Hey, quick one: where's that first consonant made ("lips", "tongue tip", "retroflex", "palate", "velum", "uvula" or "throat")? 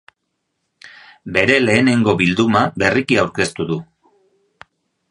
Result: lips